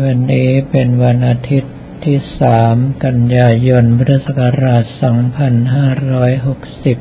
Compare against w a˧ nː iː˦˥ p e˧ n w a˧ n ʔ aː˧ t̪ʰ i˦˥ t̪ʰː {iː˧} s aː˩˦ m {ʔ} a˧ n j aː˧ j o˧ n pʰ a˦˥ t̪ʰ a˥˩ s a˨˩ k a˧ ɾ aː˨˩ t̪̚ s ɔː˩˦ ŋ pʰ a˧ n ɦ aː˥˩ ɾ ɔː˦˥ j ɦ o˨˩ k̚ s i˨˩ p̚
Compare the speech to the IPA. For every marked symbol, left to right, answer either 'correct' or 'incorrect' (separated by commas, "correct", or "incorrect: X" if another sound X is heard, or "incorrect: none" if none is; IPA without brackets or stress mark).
incorrect: iː˥˩, incorrect: k